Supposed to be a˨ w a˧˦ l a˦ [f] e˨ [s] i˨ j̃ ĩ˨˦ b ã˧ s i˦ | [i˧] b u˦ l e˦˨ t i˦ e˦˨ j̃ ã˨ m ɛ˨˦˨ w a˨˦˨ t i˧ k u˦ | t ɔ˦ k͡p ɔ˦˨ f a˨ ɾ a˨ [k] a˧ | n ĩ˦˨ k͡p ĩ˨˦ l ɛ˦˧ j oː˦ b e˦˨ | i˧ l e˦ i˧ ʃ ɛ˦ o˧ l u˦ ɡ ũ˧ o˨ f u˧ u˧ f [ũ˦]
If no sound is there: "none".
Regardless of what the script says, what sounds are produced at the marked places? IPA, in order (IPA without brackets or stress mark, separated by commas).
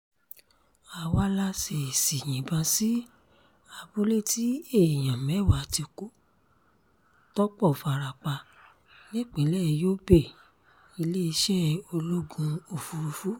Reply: s, s, a˧, k͡p, u˦